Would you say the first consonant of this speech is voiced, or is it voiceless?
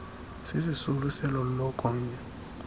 voiceless